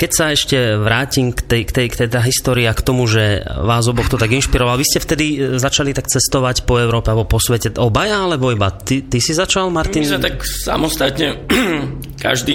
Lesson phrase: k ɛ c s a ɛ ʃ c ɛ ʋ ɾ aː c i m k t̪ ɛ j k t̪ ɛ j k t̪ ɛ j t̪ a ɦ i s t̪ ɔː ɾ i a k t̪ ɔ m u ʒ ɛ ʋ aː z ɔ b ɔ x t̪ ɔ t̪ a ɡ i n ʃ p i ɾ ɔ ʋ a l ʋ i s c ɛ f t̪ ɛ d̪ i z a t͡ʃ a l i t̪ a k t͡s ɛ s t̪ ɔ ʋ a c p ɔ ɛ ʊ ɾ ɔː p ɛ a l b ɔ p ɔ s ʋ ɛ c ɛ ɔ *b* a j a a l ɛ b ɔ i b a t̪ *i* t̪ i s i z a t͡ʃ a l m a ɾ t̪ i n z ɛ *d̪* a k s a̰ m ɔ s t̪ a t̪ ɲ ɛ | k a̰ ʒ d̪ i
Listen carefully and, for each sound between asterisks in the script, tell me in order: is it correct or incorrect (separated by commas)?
correct, correct, incorrect